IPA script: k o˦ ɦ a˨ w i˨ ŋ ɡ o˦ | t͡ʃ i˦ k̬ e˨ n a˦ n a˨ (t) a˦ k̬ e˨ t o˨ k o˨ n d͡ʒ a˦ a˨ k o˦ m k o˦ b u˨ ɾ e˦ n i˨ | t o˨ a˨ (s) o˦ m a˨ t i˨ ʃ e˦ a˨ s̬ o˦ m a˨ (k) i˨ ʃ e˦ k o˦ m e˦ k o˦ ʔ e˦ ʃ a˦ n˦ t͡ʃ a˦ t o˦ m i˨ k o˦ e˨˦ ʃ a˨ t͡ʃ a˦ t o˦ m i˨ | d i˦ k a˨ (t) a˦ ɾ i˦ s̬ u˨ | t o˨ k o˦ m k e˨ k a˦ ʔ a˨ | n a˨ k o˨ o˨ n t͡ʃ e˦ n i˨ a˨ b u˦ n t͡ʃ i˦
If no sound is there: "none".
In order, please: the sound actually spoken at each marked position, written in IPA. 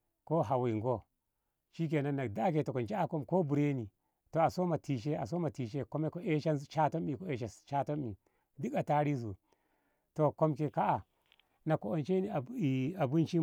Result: d, s, t, t

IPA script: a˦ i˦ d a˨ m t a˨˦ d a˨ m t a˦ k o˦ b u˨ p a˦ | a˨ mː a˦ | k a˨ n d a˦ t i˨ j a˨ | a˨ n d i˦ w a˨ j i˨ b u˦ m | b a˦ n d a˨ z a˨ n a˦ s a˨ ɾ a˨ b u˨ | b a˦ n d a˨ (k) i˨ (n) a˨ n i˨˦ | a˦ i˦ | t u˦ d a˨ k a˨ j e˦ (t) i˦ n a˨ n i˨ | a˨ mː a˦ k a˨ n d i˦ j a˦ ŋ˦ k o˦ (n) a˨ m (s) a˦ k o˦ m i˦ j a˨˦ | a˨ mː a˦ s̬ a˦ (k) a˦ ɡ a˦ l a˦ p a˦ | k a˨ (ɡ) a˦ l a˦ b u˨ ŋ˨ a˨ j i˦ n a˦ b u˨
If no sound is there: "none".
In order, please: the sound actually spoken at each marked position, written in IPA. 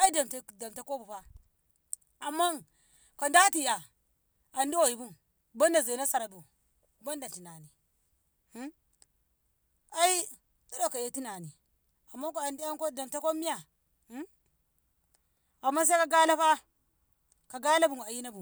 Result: t, n, t, d, t, k, ɡ

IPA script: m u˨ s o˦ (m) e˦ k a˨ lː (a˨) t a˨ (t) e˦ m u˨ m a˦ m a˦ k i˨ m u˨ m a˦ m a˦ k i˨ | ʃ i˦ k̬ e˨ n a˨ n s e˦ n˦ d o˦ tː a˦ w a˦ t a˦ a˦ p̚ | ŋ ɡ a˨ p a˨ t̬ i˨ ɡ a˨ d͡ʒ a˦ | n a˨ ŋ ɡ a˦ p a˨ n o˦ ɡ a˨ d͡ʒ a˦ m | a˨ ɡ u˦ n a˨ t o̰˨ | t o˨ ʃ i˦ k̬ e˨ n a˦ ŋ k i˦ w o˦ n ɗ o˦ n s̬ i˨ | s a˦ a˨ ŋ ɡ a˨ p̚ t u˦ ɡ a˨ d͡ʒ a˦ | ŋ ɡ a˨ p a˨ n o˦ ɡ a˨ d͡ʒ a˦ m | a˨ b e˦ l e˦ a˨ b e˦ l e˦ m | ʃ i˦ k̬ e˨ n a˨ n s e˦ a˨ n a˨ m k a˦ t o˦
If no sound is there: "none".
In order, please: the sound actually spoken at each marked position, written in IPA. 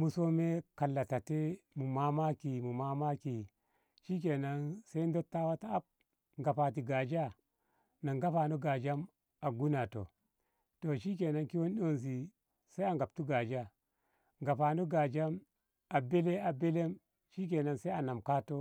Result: m, a˨, t

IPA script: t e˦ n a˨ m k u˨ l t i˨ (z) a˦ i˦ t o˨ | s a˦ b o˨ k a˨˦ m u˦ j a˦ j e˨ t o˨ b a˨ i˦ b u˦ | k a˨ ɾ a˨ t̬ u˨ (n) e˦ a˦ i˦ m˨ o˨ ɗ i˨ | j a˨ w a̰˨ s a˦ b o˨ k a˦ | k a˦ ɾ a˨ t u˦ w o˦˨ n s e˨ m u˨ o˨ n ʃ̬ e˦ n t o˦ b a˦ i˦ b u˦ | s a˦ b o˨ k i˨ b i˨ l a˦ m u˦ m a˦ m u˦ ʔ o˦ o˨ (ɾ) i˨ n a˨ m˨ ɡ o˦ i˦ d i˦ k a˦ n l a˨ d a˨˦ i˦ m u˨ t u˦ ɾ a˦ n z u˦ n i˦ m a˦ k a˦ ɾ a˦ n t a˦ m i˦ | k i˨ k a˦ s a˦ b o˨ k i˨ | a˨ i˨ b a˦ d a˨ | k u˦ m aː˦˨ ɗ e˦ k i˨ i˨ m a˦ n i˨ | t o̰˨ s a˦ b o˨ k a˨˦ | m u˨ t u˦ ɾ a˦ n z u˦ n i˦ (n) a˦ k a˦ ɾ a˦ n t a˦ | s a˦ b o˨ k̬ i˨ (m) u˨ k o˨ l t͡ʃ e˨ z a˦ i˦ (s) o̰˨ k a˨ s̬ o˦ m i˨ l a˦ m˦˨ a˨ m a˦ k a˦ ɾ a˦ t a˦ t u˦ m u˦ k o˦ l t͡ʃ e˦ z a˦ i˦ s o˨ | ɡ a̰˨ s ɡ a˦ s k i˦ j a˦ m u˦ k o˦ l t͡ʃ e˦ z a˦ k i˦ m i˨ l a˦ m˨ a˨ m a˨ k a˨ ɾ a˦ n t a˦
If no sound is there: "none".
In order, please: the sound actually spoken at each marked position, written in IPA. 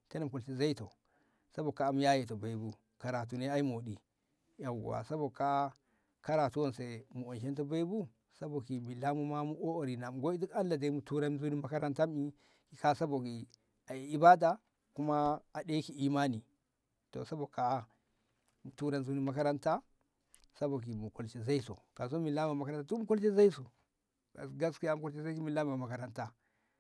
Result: z, n, ɾ, m, m, s

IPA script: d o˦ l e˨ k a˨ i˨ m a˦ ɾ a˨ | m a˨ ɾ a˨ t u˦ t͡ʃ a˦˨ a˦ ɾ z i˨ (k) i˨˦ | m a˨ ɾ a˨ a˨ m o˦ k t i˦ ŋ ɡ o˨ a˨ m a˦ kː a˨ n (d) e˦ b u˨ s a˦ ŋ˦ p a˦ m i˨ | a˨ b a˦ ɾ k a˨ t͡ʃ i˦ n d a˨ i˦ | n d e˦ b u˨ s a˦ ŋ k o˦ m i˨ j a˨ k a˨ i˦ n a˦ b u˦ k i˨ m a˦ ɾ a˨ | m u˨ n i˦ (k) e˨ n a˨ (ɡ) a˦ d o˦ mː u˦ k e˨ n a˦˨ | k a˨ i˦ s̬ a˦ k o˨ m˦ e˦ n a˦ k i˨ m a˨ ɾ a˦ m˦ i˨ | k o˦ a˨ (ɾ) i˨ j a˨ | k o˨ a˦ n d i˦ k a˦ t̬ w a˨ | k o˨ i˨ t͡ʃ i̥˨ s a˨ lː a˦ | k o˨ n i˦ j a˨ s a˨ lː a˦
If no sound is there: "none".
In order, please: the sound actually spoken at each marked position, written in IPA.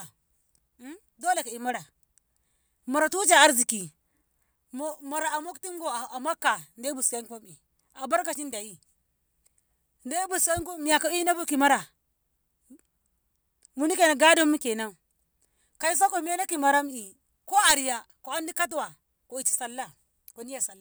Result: k, d, k, ɡ, ɾ

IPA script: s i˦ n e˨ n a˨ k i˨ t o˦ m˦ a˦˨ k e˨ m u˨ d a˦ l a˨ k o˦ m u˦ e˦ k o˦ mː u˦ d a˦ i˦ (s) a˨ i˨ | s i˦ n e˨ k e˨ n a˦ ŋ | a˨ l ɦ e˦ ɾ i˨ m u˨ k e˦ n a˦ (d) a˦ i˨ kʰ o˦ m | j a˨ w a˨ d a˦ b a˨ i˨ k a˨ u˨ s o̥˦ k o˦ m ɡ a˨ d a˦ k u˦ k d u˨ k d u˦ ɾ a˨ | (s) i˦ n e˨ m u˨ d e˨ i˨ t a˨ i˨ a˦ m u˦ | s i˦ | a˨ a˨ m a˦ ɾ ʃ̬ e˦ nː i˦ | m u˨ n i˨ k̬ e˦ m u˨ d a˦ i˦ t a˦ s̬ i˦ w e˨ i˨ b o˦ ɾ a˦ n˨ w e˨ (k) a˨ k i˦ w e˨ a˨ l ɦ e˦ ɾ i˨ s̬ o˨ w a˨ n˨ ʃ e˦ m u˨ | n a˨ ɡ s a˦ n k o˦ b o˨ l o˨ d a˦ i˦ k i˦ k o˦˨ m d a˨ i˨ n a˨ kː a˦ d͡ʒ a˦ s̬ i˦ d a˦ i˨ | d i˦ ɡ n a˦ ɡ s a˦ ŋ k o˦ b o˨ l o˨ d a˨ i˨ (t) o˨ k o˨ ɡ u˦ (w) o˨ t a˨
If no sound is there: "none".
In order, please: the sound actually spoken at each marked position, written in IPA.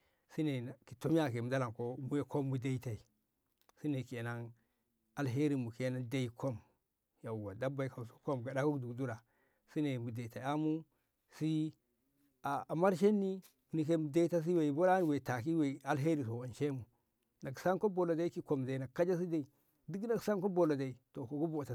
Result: t, d, s, t, t, b

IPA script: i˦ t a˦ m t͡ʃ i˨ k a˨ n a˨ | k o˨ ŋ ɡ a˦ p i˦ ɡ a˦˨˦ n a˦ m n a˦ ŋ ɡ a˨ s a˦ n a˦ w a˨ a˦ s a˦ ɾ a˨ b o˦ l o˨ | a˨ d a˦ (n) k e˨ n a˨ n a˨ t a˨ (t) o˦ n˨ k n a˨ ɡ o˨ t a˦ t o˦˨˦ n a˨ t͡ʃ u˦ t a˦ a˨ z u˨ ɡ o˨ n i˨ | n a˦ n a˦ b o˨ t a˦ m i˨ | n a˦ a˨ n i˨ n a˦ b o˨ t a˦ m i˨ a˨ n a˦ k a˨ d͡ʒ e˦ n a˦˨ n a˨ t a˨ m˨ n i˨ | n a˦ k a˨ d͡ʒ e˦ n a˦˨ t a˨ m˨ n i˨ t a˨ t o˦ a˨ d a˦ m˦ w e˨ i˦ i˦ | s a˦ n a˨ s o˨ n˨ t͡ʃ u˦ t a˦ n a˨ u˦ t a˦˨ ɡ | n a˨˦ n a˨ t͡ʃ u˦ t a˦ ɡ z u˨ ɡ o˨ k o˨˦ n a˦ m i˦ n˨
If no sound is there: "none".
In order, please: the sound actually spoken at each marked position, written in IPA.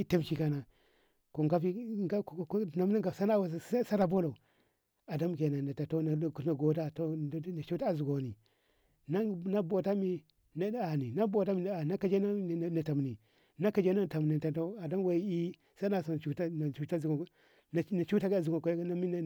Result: m, t

